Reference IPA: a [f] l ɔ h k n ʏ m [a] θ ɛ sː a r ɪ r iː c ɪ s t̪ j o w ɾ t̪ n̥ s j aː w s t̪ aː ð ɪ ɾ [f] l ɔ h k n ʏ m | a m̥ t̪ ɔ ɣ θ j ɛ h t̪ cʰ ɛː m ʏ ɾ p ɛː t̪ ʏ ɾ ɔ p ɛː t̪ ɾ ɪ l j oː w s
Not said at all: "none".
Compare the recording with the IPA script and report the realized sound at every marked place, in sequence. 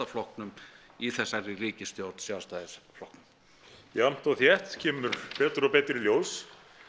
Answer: f, i, f

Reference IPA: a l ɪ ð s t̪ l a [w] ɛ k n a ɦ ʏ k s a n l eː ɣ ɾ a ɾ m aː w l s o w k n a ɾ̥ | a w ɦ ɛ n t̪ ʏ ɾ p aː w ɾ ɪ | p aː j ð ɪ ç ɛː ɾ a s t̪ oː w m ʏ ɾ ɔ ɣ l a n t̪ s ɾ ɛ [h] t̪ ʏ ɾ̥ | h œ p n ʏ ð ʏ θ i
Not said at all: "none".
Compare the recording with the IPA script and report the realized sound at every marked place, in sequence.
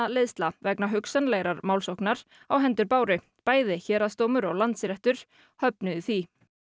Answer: v, h

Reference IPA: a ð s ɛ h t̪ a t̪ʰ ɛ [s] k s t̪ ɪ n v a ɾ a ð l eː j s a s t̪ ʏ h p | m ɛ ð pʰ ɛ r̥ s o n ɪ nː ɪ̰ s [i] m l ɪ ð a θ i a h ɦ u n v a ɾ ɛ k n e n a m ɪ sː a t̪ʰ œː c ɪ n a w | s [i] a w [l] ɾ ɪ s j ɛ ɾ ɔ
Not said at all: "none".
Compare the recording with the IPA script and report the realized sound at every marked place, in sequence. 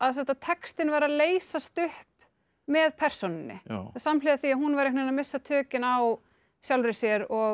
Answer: none, a, j, l

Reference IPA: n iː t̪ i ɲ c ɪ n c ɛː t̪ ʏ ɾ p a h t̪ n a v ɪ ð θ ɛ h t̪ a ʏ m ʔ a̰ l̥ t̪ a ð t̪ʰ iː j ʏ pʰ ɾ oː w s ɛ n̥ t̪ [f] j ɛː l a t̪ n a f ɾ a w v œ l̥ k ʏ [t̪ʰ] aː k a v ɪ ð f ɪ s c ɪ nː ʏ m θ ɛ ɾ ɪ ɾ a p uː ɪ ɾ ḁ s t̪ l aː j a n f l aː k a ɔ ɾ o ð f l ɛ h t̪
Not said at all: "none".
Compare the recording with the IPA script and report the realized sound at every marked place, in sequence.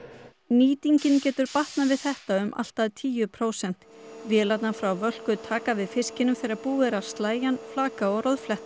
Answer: v, t̪ʰ

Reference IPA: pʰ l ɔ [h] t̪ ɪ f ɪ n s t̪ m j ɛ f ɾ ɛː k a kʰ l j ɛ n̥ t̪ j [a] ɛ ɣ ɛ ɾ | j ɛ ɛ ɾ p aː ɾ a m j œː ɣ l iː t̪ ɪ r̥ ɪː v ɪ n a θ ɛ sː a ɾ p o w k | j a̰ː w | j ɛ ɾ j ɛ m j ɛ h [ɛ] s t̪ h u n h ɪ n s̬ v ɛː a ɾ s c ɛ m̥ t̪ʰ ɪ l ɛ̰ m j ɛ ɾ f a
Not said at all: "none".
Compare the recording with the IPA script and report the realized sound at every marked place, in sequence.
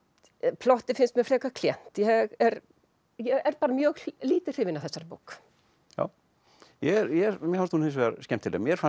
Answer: h, ɛ, a

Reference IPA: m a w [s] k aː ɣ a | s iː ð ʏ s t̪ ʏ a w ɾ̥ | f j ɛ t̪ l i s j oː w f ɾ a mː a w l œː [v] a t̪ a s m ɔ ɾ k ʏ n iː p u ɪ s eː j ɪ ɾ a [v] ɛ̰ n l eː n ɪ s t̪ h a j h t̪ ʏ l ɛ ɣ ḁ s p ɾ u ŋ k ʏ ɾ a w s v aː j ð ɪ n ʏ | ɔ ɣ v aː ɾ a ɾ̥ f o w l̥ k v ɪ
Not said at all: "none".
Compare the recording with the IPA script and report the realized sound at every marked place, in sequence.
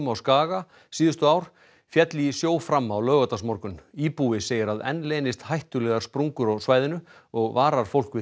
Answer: s, ɣ, ð

